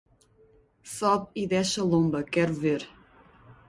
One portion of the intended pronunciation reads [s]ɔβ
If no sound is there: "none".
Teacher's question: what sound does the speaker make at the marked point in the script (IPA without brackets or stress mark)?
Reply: s